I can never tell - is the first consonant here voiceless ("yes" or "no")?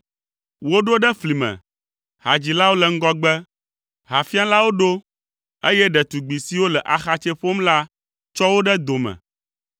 no